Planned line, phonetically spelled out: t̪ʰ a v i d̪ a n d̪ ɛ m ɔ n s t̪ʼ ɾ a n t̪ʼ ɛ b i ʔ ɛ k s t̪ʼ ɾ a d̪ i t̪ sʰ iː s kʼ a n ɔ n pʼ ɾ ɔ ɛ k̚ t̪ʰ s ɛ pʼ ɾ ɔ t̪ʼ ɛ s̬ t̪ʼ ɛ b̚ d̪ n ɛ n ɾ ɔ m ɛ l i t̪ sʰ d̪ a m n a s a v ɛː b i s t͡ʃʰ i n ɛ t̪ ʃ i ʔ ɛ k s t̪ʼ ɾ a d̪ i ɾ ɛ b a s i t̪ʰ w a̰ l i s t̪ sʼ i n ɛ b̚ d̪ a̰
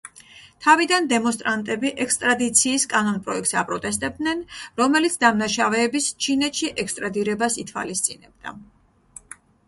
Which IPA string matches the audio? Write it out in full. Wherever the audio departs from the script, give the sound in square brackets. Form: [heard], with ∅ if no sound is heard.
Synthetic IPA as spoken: t̪ʰ a v i d̪ a n d̪ ɛ m ɔ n s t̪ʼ ɾ a n t̪ʼ ɛ b i ʔ ɛ k s t̪ʼ ɾ a d̪ i t̪ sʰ iː s kʼ a n ɔ n pʼ ɾ ɔ ɛ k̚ [t̪] s [a] pʼ ɾ ɔ t̪ʼ ɛ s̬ t̪ʼ ɛ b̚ d̪ n ɛ n ɾ ɔ m ɛ l i t̪ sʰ d̪ a m n a [ʃ] a v ɛː b i s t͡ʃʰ i n ɛ t̪ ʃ i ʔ ɛ k s t̪ʼ ɾ a d̪ i ɾ ɛ b a s i t̪ʰ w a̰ l i s t̪ sʼ i n ɛ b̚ d̪ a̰